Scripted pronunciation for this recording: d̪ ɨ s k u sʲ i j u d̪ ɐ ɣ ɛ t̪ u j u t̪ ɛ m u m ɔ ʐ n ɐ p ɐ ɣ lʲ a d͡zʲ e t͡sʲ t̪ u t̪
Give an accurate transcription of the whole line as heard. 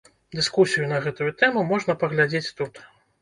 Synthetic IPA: d̪ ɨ s k u sʲ i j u n̪ ɐ ɣ ɛ t̪ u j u t̪ ɛ m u m ɔ ʐ n ɐ p ɐ ɣ lʲ a d͡zʲ e t͡sʲ t̪ u t̪